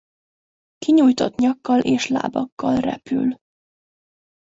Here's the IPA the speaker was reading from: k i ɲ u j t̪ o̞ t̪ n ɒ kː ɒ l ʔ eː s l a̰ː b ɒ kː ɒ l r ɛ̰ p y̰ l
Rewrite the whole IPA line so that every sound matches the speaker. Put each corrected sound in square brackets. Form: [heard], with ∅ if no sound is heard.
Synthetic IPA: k i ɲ u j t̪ o̞ t̪ [ɲ] ɒ kː ɒ l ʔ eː [ʃ] l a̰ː b ɒ kː ɒ l r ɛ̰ p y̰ l